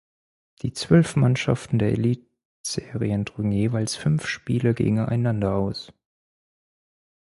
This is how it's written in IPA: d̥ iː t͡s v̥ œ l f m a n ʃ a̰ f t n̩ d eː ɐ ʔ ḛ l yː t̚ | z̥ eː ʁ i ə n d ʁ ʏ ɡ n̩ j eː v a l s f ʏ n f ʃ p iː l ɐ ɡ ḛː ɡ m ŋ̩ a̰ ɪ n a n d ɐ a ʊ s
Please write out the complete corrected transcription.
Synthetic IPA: d̥ iː t͡s v̥ œ l f m a n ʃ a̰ f t n̩ d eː ɐ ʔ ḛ l iː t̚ | z̥ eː ʁ i ə n d ʁ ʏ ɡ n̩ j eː v a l s f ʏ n f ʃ p iː l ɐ ɡ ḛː ɡ ŋ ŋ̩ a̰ ɪ n a n d ɐ a ʊ s